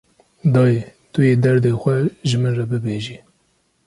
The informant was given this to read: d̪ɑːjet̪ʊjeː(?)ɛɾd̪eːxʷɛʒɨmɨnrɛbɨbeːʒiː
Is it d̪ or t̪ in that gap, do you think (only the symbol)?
d̪